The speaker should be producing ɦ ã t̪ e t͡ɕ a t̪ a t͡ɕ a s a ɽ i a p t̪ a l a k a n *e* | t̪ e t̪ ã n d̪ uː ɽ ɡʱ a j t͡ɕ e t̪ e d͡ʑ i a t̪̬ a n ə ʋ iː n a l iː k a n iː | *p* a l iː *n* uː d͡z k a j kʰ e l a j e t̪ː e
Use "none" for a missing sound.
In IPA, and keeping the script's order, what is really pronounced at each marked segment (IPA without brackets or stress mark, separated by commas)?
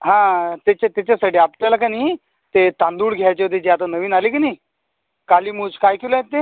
i, k, m